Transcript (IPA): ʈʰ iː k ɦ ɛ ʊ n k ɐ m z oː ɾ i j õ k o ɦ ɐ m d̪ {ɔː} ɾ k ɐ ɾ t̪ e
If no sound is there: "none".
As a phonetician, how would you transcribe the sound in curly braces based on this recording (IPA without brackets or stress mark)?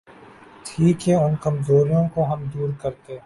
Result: uː